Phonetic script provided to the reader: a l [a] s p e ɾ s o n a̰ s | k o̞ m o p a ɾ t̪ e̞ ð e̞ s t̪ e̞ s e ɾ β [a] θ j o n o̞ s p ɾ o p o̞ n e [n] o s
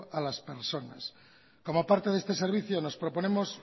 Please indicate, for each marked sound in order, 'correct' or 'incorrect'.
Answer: correct, incorrect, incorrect

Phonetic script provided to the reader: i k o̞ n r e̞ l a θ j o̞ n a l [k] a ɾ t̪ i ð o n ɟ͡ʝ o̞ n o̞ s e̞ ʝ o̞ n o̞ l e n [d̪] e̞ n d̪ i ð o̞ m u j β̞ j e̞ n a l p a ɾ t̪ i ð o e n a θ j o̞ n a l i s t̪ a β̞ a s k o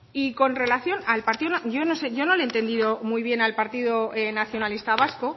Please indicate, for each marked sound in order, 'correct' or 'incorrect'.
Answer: incorrect, incorrect

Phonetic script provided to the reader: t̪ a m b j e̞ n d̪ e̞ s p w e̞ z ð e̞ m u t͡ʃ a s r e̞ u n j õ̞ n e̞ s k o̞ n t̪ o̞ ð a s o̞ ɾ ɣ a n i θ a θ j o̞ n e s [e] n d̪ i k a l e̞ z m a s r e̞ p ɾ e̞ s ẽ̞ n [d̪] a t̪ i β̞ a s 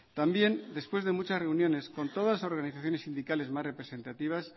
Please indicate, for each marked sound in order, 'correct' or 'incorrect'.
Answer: incorrect, incorrect

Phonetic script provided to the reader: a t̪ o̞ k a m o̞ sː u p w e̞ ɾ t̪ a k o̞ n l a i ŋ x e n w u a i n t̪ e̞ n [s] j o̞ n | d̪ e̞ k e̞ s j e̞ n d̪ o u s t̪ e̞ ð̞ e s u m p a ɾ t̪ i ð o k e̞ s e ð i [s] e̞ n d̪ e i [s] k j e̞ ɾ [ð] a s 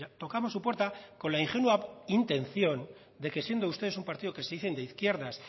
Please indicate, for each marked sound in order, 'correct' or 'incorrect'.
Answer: incorrect, incorrect, incorrect, correct

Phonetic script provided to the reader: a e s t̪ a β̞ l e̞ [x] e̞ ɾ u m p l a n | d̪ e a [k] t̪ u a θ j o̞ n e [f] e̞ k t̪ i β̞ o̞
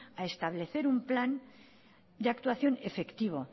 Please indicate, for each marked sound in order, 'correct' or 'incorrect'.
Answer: incorrect, correct, correct

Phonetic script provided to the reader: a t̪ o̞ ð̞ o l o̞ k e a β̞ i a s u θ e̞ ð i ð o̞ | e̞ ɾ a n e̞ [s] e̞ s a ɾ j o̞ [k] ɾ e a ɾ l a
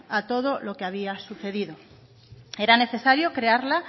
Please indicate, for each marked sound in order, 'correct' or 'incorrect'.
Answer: incorrect, correct

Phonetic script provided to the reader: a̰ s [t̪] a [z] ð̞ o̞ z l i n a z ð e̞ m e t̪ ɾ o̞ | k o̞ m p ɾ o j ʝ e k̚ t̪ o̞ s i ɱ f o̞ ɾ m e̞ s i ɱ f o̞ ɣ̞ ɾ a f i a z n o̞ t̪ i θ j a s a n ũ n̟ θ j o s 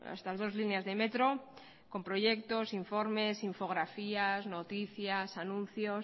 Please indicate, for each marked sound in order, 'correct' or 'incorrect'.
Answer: correct, correct

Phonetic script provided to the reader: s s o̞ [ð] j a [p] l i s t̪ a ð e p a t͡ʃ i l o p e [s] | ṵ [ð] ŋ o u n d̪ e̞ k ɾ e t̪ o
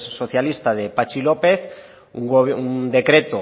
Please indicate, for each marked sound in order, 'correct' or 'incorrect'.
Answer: incorrect, incorrect, incorrect, incorrect

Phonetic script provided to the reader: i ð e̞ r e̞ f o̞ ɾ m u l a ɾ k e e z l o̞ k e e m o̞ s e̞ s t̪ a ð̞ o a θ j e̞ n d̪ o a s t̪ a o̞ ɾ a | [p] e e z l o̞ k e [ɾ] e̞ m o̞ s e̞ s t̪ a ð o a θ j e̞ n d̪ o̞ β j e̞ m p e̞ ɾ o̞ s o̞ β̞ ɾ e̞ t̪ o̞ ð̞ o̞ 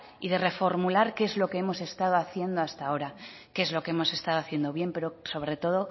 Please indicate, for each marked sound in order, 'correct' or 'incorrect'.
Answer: incorrect, incorrect

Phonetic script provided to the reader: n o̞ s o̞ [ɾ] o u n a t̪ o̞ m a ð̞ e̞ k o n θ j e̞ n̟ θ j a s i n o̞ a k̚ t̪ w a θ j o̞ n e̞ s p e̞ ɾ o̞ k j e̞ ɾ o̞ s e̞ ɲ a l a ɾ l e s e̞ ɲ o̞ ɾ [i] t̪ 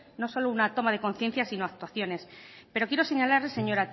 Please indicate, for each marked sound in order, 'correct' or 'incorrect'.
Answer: incorrect, incorrect

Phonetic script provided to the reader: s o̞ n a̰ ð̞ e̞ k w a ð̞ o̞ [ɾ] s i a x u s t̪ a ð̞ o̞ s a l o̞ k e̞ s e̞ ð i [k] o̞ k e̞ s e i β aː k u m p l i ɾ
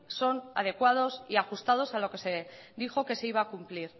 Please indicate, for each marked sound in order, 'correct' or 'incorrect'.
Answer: incorrect, incorrect

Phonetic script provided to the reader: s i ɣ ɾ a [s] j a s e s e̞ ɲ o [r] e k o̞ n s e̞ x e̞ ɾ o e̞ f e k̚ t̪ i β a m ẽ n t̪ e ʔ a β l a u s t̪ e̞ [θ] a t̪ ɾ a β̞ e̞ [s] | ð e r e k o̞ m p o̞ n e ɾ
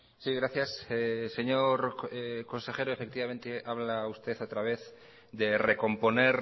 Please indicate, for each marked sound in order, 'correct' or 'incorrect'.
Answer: incorrect, incorrect, correct, incorrect

